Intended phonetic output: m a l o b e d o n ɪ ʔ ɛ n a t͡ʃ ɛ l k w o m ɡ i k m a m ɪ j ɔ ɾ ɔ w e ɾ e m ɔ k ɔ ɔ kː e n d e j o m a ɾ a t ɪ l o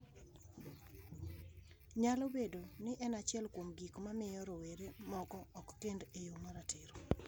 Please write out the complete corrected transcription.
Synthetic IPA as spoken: ɲ a l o b e d o n ɪ ʔ ɛ n a t͡ʃ ɛ l k w o m ɡ i k m a m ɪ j ɔ ɾ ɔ w e ɾ e m ɔ k ɔ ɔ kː e n d e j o m a ɾ a t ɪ ɾ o